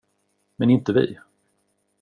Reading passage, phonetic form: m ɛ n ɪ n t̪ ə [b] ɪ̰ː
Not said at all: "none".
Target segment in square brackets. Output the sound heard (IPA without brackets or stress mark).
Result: v